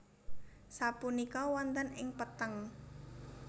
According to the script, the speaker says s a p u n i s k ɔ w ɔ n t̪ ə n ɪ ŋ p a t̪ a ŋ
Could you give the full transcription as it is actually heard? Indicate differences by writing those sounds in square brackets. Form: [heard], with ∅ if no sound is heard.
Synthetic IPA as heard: s a p u n i [∅] k ɔ w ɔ n t̪ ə n ɪ ŋ p [ə] t̪ [ə] ŋ